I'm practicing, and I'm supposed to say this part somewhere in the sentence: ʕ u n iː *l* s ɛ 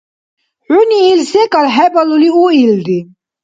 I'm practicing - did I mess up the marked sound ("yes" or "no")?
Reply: no